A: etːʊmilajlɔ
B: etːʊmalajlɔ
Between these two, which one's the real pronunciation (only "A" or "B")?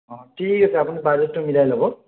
A